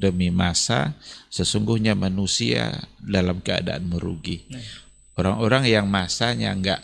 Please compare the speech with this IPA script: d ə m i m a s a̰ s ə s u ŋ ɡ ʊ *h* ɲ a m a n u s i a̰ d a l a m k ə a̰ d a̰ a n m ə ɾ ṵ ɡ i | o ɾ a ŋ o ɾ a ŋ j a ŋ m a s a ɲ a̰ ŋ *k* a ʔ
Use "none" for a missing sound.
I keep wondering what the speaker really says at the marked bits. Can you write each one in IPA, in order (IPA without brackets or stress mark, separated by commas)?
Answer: h, ɡ